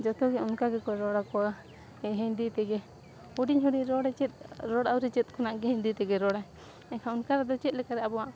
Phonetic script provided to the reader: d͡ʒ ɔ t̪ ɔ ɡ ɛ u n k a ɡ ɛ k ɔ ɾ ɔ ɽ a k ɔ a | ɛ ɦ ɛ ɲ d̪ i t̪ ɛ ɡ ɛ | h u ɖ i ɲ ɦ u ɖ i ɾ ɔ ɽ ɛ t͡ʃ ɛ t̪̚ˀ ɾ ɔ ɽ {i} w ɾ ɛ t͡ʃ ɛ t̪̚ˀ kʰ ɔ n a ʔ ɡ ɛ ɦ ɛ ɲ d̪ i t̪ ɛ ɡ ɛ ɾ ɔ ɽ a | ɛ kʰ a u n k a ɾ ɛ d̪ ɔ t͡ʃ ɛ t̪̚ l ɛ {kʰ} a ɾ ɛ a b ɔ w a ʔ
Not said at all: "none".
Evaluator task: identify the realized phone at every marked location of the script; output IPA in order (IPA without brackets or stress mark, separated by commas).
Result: a, k